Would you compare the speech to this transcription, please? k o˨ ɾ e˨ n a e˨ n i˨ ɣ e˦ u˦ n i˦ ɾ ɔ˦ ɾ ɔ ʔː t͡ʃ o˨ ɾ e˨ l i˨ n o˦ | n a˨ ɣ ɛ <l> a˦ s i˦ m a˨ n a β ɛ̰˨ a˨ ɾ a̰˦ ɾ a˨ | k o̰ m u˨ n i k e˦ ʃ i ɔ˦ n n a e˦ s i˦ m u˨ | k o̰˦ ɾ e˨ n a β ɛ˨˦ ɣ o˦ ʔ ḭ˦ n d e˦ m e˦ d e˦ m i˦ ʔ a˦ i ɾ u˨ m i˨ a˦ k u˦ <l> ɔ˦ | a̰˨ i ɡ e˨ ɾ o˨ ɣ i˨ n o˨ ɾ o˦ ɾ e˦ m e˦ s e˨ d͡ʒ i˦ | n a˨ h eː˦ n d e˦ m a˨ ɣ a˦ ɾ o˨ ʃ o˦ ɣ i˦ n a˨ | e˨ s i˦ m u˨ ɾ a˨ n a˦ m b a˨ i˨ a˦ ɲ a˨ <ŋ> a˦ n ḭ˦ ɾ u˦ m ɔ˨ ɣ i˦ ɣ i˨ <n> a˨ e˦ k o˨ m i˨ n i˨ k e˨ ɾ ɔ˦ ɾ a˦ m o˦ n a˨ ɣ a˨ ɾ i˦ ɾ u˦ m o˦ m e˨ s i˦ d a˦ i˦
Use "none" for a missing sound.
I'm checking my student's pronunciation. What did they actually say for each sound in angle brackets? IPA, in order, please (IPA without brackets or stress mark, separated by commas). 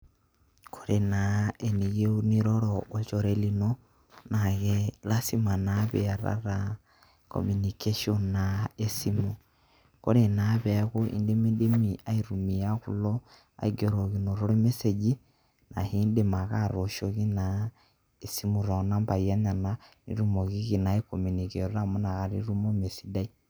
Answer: l, l, n, n